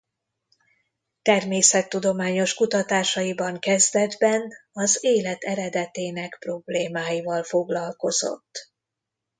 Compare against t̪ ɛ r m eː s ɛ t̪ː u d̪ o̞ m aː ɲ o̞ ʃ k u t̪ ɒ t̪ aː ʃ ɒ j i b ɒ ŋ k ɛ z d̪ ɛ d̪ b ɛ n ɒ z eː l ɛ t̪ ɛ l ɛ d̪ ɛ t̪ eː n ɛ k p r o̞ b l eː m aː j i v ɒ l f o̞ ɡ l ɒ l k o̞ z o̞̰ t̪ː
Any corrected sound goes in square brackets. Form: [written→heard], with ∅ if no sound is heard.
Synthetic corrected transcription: t̪ ɛ r m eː s ɛ t̪ː u d̪ o̞ m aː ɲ o̞ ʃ k u t̪ ɒ t̪ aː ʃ ɒ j i b ɒ ŋ k ɛ z d̪ ɛ d̪ b ɛ n ɒ z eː l ɛ t̪ ɛ [l→ɾ] ɛ d̪ ɛ t̪ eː n ɛ k p r o̞ b l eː m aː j i v ɒ l f o̞ ɡ l ɒ l k o̞ z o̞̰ t̪ː